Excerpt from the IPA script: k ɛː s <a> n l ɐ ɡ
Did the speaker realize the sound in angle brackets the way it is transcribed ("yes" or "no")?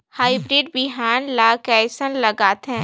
no